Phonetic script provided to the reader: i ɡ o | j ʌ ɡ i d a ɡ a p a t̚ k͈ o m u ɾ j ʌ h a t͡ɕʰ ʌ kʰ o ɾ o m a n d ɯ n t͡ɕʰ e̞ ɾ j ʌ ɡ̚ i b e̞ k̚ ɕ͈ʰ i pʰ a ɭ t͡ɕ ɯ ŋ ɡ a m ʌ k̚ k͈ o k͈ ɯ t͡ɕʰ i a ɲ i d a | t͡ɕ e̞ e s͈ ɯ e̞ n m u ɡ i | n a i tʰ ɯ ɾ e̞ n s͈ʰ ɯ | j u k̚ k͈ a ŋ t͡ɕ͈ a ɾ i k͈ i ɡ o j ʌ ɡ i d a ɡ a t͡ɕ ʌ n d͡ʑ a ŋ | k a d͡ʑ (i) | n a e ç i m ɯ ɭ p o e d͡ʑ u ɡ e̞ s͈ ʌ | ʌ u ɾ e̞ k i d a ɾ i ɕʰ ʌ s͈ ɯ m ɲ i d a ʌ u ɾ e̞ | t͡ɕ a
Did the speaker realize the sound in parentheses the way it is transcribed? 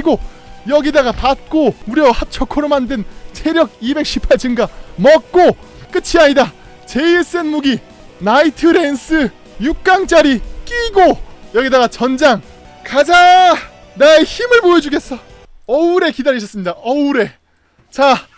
no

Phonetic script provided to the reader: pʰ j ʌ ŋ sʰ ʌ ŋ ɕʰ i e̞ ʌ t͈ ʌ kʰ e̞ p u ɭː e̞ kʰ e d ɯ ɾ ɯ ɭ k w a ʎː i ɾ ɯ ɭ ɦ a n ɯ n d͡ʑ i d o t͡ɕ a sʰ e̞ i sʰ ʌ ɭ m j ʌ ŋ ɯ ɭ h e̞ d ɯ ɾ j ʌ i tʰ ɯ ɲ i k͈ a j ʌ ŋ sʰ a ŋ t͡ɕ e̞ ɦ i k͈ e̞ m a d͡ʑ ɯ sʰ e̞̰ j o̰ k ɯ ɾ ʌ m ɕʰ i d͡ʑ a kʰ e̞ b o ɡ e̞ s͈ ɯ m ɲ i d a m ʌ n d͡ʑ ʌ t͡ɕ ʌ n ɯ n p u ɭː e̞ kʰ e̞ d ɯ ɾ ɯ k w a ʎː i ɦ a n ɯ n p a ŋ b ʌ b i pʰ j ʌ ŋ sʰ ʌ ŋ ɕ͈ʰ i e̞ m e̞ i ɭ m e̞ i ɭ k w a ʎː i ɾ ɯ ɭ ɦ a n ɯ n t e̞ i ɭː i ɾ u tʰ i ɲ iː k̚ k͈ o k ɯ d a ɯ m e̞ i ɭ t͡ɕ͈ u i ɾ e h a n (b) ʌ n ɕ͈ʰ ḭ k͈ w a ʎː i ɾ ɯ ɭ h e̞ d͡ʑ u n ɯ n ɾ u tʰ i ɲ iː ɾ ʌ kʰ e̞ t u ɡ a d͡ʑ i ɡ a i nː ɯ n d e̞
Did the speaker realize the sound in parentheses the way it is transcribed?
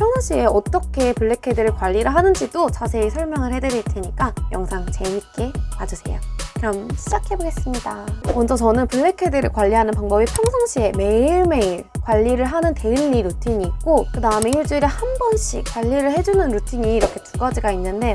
yes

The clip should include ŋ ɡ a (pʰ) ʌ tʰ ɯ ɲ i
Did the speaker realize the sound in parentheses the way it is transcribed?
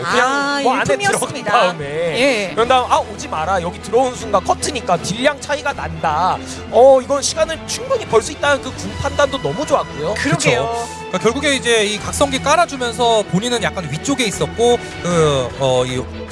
no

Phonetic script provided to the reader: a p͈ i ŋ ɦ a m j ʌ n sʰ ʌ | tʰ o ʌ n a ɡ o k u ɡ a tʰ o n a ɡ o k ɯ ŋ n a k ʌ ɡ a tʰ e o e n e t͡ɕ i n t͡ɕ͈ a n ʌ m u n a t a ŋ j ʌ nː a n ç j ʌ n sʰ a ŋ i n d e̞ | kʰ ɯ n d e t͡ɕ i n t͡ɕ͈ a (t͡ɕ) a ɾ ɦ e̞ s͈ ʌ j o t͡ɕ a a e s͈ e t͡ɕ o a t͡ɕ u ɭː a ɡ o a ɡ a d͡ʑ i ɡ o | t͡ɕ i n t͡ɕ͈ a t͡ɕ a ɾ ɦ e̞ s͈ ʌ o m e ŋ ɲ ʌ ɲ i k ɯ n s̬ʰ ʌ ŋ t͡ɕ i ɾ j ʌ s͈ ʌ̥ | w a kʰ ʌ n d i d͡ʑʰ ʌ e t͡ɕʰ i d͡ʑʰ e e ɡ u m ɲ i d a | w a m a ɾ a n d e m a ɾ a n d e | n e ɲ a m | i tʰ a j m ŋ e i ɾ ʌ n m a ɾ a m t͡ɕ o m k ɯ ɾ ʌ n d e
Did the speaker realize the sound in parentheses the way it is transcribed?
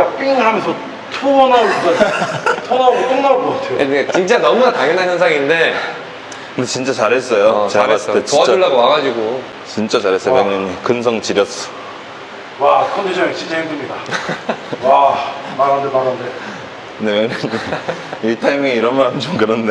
yes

